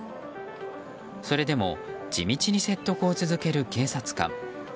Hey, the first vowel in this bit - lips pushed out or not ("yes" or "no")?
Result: yes